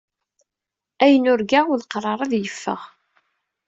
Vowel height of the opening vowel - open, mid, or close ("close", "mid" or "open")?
open